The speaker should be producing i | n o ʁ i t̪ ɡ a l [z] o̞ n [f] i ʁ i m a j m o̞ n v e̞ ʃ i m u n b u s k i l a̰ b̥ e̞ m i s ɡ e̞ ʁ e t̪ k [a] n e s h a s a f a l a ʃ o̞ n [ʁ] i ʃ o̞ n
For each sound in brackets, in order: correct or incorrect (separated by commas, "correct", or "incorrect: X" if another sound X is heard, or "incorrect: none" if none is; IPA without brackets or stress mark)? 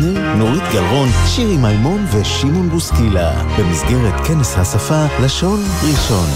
incorrect: ʁ, incorrect: ʃ, incorrect: e, correct